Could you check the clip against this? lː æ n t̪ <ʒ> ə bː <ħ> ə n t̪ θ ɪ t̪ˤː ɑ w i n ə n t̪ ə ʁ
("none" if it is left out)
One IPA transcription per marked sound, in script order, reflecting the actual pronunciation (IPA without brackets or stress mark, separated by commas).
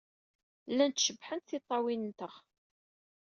ʃ, ħ